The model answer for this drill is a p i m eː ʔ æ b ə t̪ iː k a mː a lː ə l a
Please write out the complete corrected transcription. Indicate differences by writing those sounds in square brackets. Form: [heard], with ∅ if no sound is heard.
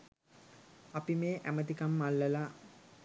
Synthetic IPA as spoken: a p i m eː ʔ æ [m] ə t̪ [i] k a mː a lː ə l a